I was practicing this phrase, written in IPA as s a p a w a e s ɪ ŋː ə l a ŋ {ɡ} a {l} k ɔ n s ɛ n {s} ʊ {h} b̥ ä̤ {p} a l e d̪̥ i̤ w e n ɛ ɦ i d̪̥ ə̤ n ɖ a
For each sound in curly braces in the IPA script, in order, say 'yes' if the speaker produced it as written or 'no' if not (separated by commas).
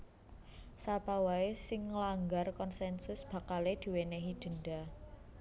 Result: yes, no, yes, no, no